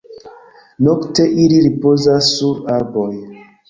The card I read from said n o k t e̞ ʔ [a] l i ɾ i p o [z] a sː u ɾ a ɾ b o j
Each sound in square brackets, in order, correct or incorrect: incorrect: i, correct

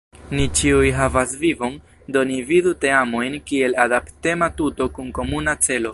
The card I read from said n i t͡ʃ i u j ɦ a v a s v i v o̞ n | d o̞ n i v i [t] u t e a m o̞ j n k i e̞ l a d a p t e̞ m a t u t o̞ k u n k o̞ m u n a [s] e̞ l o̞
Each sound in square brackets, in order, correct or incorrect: incorrect: d, incorrect: t͡s

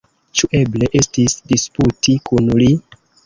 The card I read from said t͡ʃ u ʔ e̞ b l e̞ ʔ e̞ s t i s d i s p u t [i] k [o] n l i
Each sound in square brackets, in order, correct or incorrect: correct, incorrect: u

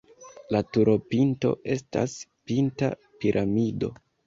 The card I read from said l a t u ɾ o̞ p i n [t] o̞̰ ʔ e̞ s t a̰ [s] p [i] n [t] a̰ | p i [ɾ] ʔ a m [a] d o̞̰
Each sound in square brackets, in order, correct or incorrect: correct, correct, correct, correct, correct, incorrect: i

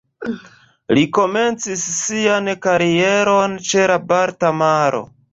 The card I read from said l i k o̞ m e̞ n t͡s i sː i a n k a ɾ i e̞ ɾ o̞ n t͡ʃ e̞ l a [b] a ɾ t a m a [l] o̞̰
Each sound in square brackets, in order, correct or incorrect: correct, incorrect: ɾ

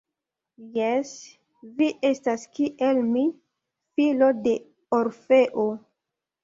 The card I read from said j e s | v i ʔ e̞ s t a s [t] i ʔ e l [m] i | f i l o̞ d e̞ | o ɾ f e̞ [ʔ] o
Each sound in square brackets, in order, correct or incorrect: incorrect: k, correct, correct

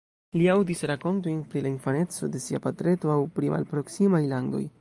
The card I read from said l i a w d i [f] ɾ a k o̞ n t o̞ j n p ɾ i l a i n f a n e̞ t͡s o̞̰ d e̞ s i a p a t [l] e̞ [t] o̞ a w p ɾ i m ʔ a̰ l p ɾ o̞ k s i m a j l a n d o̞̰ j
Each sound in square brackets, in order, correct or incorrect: incorrect: s, incorrect: ɾ, correct

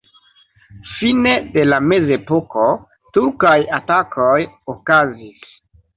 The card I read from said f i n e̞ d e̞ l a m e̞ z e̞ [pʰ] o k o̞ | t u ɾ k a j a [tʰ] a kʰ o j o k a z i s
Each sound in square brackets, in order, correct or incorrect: incorrect: p, incorrect: t

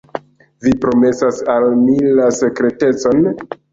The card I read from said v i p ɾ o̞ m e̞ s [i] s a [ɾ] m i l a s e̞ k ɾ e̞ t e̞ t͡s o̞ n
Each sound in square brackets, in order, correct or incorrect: incorrect: a, incorrect: l

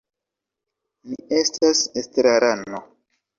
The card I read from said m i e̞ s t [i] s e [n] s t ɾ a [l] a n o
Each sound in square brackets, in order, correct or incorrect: incorrect: a, incorrect: none, incorrect: ɾ

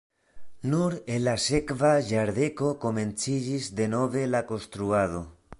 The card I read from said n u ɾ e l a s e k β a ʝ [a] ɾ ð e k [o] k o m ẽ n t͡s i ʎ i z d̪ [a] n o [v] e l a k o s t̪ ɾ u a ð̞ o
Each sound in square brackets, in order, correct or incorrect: correct, correct, incorrect: e, incorrect: β

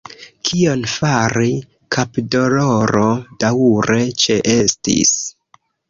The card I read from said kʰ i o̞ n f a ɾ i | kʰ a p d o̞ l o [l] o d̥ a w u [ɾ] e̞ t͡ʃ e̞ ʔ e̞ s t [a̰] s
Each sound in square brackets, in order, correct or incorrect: incorrect: ɾ, correct, incorrect: ḭ

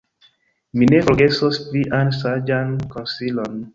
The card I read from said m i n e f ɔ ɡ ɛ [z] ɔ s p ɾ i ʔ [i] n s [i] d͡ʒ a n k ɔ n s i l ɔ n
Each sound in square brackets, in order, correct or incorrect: incorrect: s, incorrect: a, incorrect: a

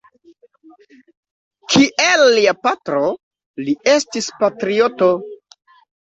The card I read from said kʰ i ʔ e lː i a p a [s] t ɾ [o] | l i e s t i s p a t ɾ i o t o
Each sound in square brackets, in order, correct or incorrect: incorrect: none, correct

